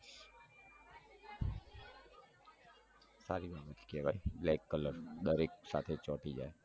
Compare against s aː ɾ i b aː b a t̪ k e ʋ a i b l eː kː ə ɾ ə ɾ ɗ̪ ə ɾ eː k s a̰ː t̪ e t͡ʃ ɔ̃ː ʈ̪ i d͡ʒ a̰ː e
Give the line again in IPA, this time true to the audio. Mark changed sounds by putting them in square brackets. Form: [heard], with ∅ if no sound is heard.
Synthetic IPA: s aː ɾ i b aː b [ə] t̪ k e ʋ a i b l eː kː ə [l] ə ɾ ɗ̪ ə ɾ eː k s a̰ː [t̪ʰ] e t͡ʃ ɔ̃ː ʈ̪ i d͡ʒ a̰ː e